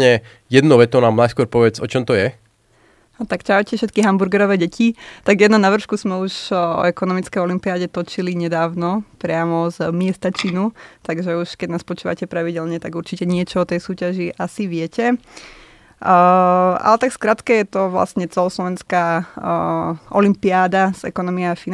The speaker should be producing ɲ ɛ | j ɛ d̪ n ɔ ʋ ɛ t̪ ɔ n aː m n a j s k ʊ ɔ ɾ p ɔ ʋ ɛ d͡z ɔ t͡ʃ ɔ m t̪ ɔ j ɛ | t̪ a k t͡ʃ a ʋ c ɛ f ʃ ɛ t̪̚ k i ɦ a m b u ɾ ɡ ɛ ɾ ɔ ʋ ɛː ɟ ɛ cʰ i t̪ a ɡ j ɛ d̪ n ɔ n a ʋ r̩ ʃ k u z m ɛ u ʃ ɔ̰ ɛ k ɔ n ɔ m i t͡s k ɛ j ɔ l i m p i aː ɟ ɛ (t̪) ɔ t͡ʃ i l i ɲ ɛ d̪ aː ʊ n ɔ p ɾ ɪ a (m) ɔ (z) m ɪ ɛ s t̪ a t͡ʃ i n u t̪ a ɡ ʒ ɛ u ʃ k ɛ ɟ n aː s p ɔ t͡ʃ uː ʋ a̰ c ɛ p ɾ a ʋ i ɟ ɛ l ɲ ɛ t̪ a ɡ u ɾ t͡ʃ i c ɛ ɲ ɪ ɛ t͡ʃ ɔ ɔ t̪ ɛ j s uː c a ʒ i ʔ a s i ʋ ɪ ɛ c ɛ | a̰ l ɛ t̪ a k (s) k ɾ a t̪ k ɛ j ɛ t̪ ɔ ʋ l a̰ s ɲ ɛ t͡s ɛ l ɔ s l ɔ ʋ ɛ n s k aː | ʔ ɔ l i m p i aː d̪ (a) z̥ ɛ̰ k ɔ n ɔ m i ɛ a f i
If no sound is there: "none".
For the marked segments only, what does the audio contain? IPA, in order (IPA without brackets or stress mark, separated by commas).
t̪, m, z, s, a